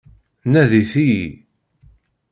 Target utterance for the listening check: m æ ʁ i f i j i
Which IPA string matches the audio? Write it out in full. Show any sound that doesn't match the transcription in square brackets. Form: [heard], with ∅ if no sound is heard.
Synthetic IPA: [n] æ [ð] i [θ] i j i